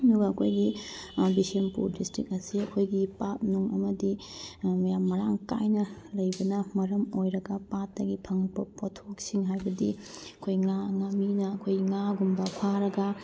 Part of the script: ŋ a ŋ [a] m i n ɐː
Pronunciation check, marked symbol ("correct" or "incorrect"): correct